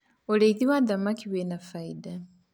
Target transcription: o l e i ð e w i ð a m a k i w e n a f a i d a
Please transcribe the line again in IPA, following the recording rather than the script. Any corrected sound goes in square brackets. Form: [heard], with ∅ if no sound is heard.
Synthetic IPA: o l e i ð [i] w [a] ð a m a k i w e n a f a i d a